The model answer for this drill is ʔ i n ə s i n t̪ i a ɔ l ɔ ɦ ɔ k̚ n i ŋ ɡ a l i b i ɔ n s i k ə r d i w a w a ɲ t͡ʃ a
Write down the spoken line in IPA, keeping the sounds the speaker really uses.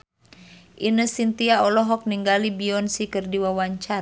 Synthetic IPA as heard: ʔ i n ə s i n t̪ i a ɔ l ɔ ɦ ɔ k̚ n i ŋ ɡ a l i b i ɔ n s i k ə r d i w a w a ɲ t͡ʃ a